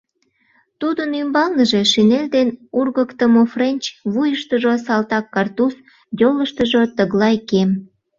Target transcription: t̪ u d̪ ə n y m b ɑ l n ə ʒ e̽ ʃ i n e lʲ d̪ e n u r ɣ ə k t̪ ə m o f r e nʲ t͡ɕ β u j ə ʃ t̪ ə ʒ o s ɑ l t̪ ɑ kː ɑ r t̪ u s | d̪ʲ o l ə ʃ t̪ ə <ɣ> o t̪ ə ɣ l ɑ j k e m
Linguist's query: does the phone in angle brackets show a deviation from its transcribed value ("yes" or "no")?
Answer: yes